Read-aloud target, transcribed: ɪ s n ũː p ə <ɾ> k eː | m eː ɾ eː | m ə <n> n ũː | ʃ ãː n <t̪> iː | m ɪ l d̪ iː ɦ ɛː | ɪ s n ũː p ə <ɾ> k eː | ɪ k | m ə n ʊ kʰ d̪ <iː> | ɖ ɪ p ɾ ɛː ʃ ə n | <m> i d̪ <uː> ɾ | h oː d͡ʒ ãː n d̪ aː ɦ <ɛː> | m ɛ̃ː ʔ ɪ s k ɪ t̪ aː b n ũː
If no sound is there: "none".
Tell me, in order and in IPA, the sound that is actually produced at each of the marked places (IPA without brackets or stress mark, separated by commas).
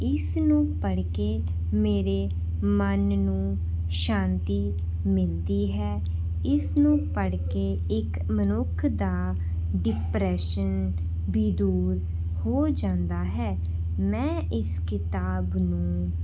ɽ, n, t̪, ɽ, aː, b, uː, ɛː